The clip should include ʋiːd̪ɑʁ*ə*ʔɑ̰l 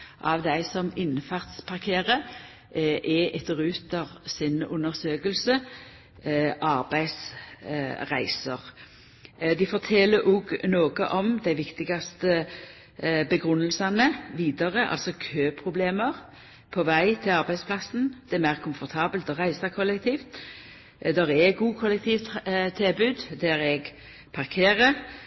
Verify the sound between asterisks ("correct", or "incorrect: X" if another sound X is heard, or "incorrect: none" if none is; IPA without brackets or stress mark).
correct